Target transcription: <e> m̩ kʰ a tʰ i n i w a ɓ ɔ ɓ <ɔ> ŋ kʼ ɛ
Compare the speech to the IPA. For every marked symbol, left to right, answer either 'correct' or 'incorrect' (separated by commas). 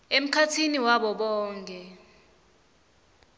correct, incorrect